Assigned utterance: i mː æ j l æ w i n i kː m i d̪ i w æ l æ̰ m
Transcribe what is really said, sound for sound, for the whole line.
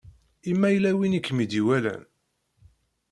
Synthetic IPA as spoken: i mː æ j l æ w i n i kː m i d̪ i w æ l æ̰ n